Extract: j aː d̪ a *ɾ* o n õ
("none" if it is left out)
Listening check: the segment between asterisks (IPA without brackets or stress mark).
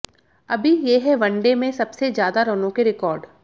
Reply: ɾ